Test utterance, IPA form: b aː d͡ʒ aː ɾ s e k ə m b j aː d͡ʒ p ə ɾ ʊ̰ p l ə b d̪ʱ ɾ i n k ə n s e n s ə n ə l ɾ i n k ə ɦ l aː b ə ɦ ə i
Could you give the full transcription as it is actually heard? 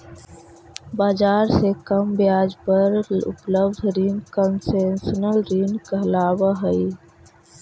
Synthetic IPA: b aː d͡ʒ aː ɾ s e k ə m b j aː d͡ʒ p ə ɾ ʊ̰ p l ə b d̪ʱ ɾ i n k ə n s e n s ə n ə l ɾ i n k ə ɦ l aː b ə ɦ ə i